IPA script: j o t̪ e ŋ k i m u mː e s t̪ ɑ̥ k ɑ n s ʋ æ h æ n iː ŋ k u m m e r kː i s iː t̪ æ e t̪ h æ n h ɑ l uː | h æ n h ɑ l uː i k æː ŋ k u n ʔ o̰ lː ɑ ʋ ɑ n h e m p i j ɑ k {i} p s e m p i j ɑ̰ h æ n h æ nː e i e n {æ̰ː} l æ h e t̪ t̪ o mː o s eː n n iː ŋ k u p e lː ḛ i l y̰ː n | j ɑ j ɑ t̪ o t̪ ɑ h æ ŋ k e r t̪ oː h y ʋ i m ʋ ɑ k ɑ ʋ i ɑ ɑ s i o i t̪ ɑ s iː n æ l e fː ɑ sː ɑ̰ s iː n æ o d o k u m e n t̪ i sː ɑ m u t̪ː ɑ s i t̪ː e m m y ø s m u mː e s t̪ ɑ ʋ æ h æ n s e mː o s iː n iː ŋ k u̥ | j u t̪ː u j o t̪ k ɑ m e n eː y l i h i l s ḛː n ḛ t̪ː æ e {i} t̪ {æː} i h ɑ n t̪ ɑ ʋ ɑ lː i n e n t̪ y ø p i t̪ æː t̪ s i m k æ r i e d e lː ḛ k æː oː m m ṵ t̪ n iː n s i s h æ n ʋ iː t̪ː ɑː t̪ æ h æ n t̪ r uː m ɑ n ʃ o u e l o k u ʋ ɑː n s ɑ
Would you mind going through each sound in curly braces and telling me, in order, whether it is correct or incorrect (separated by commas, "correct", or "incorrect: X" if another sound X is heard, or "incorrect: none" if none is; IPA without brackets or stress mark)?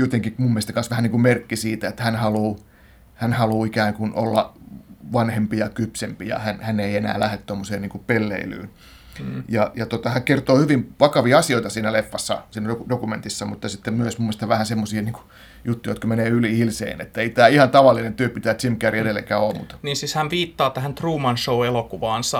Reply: incorrect: y, correct, correct, correct